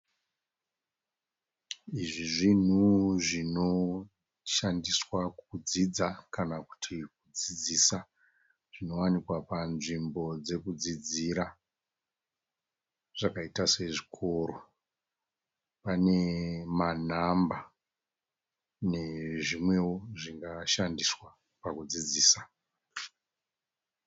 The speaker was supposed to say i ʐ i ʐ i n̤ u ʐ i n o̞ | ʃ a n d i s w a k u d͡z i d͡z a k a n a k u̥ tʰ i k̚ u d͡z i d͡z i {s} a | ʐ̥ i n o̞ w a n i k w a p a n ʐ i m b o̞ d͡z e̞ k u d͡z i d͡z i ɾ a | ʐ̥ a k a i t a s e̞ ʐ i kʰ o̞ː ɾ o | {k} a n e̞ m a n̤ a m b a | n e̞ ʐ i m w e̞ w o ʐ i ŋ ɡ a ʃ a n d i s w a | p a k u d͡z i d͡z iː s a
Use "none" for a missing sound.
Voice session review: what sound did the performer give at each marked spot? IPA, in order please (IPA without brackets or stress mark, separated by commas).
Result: s, p